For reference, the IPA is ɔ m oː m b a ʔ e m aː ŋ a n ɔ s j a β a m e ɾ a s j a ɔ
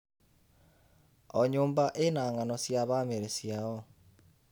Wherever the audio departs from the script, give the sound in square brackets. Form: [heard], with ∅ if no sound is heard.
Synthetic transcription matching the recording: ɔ [ɲ] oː m b a ʔ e [n] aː ŋ a n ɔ s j a β a m e ɾ [e] s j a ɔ